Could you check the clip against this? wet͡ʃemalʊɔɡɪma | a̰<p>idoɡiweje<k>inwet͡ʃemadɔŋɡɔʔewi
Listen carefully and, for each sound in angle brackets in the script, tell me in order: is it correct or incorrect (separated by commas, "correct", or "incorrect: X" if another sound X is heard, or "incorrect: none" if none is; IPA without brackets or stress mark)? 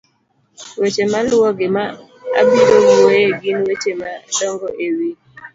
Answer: incorrect: b, incorrect: ɡ